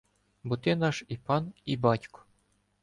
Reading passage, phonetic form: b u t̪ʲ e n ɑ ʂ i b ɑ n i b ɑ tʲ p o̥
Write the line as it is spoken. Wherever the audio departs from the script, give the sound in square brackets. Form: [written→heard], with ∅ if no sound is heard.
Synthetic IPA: b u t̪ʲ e n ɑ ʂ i [b→p] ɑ n i b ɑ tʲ [p→k] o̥